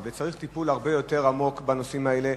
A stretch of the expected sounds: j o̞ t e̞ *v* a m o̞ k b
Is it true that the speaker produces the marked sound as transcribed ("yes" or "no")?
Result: no